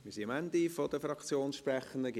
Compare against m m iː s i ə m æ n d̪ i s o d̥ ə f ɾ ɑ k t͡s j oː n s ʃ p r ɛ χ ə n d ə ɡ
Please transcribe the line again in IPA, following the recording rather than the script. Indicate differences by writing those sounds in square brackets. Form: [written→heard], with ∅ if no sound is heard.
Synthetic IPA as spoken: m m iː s i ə m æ n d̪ i [s→f] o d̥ ə f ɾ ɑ k t͡s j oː n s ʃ p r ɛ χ ə n d ə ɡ